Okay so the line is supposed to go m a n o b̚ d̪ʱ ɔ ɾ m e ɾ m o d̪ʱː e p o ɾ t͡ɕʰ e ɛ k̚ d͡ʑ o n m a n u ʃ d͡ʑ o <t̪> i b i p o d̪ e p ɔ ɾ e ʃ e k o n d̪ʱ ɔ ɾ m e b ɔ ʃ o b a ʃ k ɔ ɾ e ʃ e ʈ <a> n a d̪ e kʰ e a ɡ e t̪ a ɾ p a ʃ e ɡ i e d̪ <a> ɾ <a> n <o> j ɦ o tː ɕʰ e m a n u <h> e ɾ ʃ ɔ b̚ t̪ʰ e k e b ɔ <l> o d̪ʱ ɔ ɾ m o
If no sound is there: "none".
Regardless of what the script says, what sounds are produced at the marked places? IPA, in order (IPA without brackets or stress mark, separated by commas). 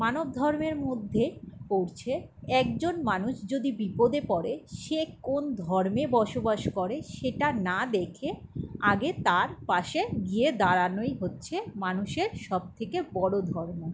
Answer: d̪, a, a, a, o, ʃ, ɽ